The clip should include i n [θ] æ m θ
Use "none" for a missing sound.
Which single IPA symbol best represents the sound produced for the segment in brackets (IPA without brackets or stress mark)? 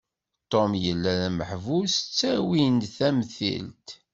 θ